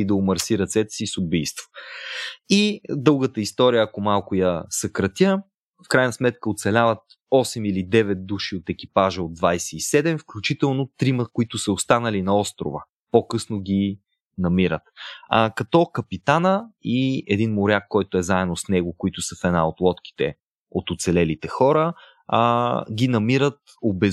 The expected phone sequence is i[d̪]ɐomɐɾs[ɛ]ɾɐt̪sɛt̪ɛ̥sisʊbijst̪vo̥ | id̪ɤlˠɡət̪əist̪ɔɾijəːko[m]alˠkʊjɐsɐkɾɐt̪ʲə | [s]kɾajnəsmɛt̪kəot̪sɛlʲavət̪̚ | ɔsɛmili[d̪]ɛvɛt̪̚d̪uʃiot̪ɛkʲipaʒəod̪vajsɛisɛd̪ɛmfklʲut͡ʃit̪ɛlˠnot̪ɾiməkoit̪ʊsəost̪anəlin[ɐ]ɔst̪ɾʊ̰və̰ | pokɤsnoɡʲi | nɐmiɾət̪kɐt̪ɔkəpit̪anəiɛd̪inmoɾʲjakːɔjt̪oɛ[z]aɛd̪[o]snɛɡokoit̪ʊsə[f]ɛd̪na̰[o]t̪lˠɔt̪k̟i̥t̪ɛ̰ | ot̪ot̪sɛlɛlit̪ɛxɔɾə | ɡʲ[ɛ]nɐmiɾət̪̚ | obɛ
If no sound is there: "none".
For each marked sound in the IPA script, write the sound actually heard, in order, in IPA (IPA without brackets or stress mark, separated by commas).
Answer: d̪, i, m, f, d̪, ɐ, z, o, f, o, i